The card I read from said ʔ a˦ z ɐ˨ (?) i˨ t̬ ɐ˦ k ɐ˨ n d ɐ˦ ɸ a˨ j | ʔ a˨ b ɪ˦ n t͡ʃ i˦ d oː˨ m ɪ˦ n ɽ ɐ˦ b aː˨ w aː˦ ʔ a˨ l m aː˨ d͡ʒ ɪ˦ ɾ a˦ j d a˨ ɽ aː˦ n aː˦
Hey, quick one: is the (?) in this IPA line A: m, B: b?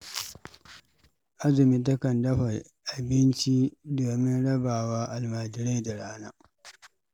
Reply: A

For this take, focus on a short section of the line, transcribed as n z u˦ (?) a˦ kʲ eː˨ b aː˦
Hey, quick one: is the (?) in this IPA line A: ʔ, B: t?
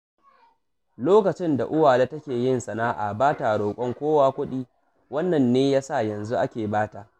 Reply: A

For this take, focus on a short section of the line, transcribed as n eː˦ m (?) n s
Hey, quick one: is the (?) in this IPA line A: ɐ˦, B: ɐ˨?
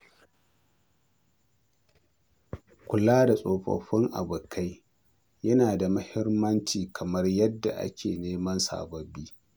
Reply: A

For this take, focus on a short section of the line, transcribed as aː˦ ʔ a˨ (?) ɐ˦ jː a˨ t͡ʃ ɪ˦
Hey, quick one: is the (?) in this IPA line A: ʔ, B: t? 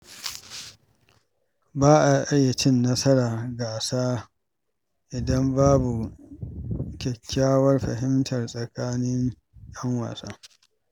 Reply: A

